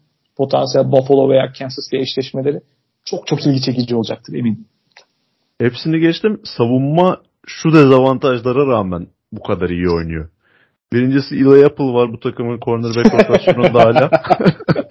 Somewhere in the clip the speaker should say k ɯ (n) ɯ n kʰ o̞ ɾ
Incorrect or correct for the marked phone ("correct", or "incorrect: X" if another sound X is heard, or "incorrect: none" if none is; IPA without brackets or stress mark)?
incorrect: m